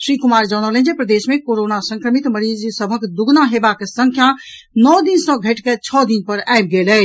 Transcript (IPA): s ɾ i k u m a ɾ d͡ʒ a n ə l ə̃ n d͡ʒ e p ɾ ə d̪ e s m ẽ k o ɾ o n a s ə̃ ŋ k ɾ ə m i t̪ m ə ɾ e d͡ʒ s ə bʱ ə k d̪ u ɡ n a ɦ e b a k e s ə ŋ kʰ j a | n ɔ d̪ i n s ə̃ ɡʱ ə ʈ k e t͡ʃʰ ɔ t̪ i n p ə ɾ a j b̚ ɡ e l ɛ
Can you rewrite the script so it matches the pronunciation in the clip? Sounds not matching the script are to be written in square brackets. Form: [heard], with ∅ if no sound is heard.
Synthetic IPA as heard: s ɾ i k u m a ɾ d͡ʒ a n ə l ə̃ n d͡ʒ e p ɾ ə d̪ e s m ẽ k o ɾ o n a s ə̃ ŋ k ɾ ə m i t̪ m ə ɾ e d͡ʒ s ə bʱ ə k d̪ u ɡ n a ɦ e b a k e s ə ŋ kʰ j a | n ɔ d̪ i n s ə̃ ɡʱ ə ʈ k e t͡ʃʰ ɔ [d̪] i n p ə ɾ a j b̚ ɡ e l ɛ